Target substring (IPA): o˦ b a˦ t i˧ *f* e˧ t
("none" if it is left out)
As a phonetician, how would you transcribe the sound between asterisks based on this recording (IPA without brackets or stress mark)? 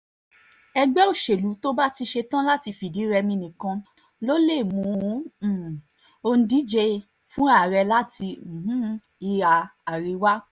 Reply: ʃ